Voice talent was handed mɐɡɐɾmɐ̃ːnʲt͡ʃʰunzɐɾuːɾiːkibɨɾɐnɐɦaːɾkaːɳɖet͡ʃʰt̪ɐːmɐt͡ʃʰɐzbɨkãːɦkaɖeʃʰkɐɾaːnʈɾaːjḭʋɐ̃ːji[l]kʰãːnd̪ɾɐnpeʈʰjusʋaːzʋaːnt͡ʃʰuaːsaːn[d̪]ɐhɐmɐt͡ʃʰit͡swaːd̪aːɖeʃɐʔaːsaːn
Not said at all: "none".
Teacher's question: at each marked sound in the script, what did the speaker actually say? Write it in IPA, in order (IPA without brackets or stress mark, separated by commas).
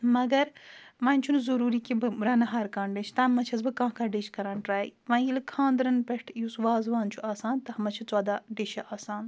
l, t̪